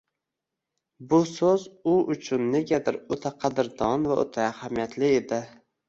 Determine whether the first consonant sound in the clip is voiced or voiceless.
voiced